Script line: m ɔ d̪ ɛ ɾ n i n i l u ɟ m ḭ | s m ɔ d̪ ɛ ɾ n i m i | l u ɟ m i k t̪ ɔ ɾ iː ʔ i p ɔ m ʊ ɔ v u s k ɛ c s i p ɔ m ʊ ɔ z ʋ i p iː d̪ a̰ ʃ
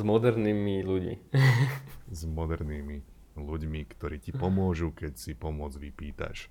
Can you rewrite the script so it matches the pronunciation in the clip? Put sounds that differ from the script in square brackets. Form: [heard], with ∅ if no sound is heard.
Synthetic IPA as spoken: m ɔ d̪ ɛ ɾ n i [m] i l u ɟ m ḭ | [z] m ɔ d̪ ɛ ɾ n i m i | l u ɟ m i k t̪ ɔ ɾ iː [c] i p ɔ m ʊ ɔ [ʒ] u [∅] k ɛ c s i p ɔ m ʊ ɔ [d͡z] ʋ i p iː [t̪] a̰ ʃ